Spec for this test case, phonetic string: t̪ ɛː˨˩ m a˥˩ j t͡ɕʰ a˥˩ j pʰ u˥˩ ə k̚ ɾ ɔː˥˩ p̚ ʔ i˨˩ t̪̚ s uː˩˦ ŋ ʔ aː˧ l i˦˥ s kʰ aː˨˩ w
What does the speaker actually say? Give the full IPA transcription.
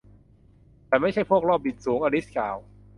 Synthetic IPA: t̪ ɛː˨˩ m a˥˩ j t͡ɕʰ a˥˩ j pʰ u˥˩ ə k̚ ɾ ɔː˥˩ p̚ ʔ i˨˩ t̪̚ s uː˩˦ ŋ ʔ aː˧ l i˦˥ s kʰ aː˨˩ w